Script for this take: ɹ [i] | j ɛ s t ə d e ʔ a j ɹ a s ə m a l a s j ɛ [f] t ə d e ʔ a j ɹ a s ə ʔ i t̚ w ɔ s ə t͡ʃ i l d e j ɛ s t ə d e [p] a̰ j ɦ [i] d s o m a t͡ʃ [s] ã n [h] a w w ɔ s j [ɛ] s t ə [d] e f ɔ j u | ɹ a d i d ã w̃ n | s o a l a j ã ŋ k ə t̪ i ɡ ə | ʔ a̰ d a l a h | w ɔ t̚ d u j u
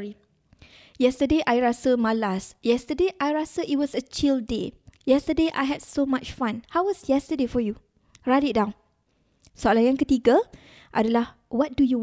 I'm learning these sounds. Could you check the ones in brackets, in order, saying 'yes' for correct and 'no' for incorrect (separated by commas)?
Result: yes, no, no, no, no, yes, yes, yes